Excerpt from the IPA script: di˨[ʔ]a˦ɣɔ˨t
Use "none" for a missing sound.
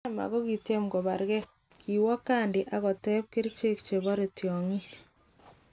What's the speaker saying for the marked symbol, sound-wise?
ʔ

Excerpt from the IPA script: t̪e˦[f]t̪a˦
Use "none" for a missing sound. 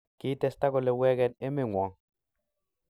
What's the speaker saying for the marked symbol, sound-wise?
s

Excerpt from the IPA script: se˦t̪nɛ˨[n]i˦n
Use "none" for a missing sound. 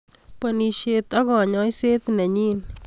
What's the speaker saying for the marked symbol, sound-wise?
ɲ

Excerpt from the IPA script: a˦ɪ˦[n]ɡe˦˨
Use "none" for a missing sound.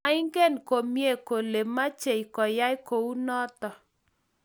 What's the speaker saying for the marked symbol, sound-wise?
ŋ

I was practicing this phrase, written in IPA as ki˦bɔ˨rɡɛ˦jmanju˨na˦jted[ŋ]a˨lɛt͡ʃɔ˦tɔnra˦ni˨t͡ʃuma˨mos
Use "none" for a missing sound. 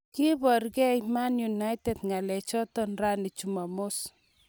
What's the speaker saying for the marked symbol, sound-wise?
ŋ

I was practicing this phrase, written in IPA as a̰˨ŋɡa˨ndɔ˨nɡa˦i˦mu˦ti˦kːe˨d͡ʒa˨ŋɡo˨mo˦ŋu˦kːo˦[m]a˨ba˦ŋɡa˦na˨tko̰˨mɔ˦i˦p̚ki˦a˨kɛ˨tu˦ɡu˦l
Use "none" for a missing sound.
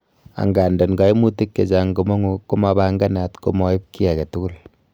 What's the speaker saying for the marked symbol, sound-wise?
m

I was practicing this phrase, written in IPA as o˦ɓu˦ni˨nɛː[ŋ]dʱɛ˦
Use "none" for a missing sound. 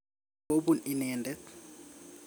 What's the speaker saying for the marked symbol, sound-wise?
n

